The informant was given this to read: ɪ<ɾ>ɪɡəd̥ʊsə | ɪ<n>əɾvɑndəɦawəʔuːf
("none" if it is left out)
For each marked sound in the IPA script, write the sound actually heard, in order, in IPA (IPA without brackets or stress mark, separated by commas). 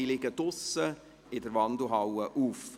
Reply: l, d